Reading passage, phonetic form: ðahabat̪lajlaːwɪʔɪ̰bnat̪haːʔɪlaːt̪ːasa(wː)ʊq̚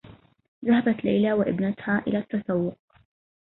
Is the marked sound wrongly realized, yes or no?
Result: no